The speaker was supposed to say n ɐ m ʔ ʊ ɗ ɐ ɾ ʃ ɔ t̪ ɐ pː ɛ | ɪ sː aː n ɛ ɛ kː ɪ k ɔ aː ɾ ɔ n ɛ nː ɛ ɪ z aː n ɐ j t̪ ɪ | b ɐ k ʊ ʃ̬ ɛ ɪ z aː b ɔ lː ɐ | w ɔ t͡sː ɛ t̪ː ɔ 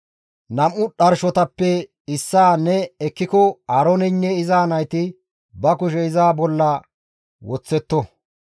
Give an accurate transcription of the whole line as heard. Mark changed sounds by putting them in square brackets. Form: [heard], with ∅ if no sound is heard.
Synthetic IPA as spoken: n ɐ m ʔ ʊ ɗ ɐ ɾ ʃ ɔ t̪ ɐ pː ɛ | ɪ sː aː n ɛ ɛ kː ɪ k ɔ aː ɾ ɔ n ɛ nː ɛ ɪ z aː n ɐ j t̪ ɪ | b ɐ k ʊ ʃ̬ ɛ ɪ z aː b ɔ lː ɐ | w ɔ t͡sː ɛ t̪ː ɔ

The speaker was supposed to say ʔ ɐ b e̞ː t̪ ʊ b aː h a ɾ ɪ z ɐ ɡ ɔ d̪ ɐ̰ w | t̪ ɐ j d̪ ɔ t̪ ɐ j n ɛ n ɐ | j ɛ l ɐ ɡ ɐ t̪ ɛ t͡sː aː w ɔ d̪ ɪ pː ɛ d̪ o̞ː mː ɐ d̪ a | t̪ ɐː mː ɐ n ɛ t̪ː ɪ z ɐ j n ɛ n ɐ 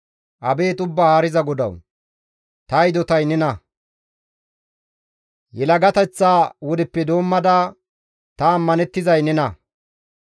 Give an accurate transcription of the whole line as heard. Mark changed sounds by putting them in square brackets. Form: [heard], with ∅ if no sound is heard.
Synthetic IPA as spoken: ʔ ɐ b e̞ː t̪ ʊ [bː] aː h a ɾ ɪ z ɐ ɡ ɔ d̪ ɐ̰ w | t̪ ɐ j d̪ ɔ t̪ ɐ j n ɛ n ɐ | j ɛ l ɐ ɡ ɐ t̪ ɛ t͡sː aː w ɔ d̪ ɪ pː ɛ d̪ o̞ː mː ɐ d̪ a | t̪ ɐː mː ɐ n ɛ t̪ː ɪ z ɐ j n ɛ n ɐ

